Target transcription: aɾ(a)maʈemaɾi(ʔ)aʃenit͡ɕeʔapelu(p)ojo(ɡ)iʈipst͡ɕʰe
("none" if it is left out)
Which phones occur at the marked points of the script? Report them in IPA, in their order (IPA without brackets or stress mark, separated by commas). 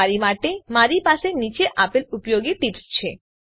i, p, p, ɡ